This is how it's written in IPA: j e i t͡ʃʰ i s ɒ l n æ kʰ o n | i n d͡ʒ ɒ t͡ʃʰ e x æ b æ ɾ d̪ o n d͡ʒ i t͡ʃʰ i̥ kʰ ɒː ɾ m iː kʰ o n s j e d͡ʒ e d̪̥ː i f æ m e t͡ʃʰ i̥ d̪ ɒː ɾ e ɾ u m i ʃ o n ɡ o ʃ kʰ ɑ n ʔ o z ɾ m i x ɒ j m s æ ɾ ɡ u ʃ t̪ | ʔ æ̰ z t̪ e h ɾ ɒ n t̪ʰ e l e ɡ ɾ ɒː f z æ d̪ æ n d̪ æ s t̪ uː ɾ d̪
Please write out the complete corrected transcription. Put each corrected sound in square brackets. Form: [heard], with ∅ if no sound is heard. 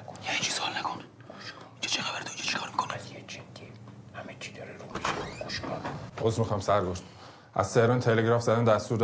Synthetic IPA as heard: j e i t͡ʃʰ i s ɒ l n æ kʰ o n | i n d͡ʒ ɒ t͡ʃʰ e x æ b æ ɾ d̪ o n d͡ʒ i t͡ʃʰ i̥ kʰ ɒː ɾ m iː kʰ o n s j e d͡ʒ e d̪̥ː i [h] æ m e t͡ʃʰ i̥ d̪ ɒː ɾ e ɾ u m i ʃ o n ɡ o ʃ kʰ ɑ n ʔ o z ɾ m i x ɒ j m s æ ɾ ɡ [o] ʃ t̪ | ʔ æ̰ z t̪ e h ɾ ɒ n t̪ʰ e l e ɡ ɾ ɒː f z æ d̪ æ n d̪ æ s t̪ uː ɾ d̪